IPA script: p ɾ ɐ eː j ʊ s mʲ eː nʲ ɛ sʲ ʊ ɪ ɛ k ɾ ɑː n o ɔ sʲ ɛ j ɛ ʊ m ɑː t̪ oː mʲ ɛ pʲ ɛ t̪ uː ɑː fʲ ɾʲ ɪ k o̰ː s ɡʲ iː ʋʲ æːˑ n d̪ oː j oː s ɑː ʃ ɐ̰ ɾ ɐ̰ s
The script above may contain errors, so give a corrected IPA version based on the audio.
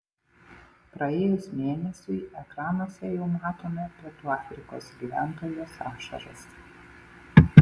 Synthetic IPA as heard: p ɾ ɐ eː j ʊ s mʲ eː nʲ ɛ sʲ ʊ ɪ ɛ k ɾ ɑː n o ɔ sʲ ɛ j ɛ ʊ m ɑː t̪ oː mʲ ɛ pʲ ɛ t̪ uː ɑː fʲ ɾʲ ɪ k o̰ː s ɡʲ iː ʋʲ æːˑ n t̪ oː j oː s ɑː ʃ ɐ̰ ɾ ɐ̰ s